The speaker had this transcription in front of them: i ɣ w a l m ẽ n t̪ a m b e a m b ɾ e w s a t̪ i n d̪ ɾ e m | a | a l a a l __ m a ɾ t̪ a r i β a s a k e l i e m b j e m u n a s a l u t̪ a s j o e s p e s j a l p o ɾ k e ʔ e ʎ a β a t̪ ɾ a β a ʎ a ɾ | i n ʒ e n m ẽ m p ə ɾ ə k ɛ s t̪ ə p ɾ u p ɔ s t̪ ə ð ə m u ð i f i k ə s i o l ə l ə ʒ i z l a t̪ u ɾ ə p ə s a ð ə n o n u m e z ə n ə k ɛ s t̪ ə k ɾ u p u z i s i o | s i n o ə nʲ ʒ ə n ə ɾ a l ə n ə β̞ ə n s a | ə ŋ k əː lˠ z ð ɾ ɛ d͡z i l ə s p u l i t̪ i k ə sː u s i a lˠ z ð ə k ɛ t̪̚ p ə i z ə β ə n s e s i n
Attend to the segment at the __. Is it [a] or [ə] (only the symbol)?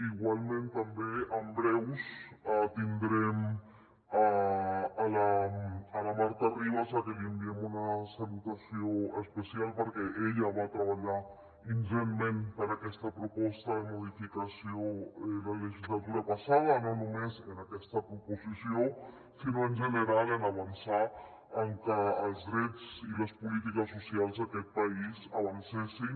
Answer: a